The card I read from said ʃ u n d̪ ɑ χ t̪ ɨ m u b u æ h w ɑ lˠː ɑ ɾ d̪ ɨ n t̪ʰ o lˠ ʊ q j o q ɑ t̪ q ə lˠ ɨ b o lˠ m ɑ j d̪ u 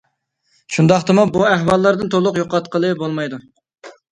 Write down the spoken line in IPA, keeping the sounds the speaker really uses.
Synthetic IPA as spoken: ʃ u n d̪ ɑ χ t̪ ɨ m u b u æ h w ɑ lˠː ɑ ɾ d̪ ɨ n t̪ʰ o lˠ ʊ q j o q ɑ t̪ q ə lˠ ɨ b o lˠ m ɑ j d̪ u

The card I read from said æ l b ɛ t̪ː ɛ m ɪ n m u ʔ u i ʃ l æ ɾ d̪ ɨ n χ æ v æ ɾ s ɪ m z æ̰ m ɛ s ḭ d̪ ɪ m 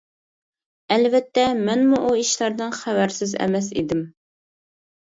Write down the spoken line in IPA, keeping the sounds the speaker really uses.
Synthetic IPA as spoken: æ l v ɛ t̪ː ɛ m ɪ n m u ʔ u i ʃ l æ ɾ d̪ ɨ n χ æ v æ ɾ s ɪ z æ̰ m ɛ s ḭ d̪ ɪ m

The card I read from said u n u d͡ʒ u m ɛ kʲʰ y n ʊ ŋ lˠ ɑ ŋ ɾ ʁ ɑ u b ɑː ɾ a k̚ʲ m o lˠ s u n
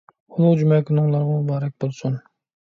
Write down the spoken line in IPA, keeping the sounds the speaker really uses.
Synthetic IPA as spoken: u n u d͡ʒ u m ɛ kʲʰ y n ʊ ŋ lˠ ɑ ɾ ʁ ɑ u b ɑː ɾ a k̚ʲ b o lˠ s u n

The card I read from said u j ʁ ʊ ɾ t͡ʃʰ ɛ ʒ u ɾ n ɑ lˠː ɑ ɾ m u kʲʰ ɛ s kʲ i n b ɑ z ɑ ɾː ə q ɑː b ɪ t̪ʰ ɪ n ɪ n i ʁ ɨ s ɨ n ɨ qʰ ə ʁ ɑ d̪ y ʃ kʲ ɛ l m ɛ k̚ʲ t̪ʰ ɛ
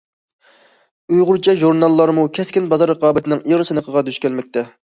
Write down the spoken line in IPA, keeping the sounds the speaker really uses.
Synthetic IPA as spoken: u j ʁ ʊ ɾ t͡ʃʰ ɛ ʒ u ɾ n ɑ lˠː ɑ ɾ m u kʲʰ ɛ s kʲ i n b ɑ z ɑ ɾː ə q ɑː b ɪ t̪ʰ ɪ n ɪ ŋ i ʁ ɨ s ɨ n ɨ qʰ ə ʁ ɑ d̪ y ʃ kʲ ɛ l m ɛ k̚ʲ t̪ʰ ɛ

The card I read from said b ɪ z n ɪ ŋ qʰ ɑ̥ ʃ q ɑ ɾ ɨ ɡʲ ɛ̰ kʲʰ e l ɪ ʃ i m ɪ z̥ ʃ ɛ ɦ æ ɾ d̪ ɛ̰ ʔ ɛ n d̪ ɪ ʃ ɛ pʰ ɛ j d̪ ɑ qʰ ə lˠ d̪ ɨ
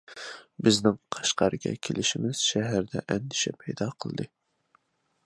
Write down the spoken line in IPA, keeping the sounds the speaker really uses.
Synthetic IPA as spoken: b ɪ z n ɪ ŋ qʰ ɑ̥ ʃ q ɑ ɾ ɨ ɡʲ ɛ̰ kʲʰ e l ɪ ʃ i m ɪ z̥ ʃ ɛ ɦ æ ɾ d̪ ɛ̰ ʔ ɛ n d̪ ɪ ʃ ɛ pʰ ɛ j d̪ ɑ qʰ ə lˠ d̪ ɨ

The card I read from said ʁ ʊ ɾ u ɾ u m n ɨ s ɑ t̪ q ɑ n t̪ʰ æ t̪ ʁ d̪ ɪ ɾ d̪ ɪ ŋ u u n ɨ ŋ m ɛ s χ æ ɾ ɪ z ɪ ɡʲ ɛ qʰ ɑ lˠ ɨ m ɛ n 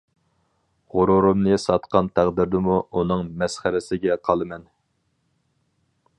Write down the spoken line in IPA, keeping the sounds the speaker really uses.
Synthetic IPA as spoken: ʁ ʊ ɾ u ɾ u m n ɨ s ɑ t̪ q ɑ n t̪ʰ æ ʁ d̪ ɪ ɾ d̪ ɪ m u u n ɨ ŋ m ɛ s χ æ ɾ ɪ s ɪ ɡʲ ɛ qʰ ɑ lˠ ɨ m ɛ n

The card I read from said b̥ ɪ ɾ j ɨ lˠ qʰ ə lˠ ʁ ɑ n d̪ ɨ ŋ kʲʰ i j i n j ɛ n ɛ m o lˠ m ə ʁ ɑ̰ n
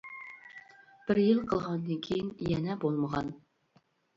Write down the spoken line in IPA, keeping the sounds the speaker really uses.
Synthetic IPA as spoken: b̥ ɪ ɾ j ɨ lˠ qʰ ə lˠ ʁ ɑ n d̪ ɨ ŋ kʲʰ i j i n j ɛ n ɛ b o lˠ m ə ʁ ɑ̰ n

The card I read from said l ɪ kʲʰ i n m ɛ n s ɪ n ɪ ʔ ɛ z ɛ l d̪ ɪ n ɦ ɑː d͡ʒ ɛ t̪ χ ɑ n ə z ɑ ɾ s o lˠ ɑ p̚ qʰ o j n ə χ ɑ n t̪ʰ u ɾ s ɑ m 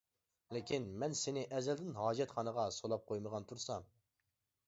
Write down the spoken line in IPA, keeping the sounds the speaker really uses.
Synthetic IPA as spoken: l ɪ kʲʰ i n m ɛ n s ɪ n ɪ ʔ ɛ z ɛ l d̪ ɪ n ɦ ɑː d͡ʒ ɛ t̪ χ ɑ n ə ʁ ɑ s o lˠ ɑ p̚ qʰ o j m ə ʁ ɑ n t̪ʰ u ɾ s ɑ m

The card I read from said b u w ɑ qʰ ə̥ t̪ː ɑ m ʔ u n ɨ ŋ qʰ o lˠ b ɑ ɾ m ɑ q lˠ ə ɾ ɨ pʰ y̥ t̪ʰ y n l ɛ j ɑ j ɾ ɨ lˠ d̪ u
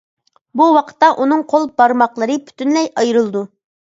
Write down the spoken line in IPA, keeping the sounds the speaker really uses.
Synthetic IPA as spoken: b u w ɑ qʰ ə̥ t̪ː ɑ ʔ u n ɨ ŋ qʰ o lˠ b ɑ ɾ m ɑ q lˠ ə ɾ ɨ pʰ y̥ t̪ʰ y n l ɛ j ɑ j ɾ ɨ lˠ d̪ u

